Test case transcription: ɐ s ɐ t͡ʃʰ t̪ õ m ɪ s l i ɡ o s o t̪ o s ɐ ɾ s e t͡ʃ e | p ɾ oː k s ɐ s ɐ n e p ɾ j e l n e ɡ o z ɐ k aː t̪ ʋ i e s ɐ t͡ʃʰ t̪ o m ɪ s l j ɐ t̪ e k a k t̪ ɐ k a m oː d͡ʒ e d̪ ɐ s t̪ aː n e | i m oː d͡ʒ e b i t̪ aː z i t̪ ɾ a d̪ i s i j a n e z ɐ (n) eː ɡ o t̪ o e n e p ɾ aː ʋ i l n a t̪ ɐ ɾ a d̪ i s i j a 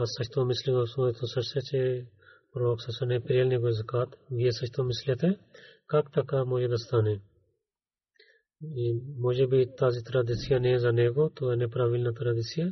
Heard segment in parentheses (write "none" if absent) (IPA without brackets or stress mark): n